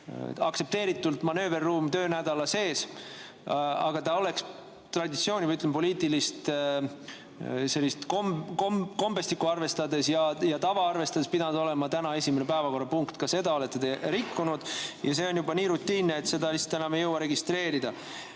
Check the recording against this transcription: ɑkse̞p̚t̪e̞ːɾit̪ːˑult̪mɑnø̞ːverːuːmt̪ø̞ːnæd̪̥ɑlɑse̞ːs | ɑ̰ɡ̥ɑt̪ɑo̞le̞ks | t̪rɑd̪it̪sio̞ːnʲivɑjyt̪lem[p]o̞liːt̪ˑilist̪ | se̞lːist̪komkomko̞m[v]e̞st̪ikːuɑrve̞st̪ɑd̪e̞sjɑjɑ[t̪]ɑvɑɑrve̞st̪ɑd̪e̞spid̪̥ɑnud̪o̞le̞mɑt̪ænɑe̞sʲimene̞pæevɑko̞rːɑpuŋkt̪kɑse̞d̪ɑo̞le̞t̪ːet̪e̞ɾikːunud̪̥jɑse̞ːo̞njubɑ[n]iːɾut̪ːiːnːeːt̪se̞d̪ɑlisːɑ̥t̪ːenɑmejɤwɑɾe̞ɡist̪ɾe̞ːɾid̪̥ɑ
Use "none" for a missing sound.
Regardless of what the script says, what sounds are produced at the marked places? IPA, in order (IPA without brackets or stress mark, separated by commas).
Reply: p, b, t̪, n